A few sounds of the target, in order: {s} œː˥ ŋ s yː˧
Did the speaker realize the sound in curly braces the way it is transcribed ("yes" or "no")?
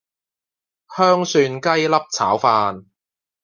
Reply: no